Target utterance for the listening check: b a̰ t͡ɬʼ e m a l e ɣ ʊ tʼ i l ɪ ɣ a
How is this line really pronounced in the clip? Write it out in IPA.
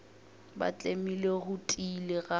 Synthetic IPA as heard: b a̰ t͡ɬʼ e m i l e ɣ ʊ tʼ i l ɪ ɣ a

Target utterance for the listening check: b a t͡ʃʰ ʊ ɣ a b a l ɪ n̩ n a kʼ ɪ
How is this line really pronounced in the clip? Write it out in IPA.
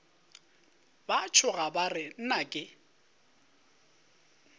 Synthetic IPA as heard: b a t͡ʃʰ ʊ ɣ a b a r ɪ n̩ n a kʼ ɪ

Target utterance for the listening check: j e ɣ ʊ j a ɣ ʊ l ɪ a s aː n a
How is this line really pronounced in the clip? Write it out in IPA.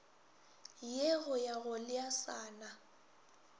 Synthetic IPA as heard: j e ɣ ʊ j a ɣ ʊ l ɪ a s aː n a

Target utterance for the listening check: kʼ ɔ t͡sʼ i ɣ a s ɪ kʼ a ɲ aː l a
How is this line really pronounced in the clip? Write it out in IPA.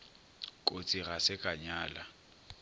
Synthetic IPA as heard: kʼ o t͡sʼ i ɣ a s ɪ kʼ a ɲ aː l a

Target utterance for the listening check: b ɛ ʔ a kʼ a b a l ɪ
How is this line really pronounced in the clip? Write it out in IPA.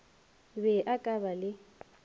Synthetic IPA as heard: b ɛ ʔ a kʼ a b a l ɪ

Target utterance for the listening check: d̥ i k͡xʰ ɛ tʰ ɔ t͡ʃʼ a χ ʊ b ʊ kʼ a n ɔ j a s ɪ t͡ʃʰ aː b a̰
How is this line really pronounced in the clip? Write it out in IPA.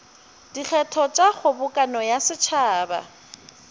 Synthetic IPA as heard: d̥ i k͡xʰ ɛ tʰ ɔ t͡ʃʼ a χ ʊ b ʊ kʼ a n ɔ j a s ɪ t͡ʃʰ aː b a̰

